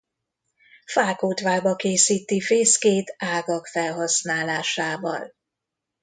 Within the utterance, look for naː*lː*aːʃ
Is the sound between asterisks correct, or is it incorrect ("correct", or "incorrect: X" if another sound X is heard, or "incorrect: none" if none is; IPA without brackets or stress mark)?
incorrect: l